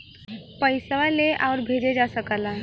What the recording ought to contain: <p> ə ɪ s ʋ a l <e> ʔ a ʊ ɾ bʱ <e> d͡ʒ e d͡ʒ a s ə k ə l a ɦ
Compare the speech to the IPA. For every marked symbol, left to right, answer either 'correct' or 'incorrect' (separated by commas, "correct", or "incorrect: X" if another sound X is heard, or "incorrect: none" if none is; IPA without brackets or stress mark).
correct, correct, correct